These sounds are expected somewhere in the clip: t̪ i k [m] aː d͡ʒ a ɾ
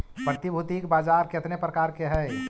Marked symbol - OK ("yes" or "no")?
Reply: no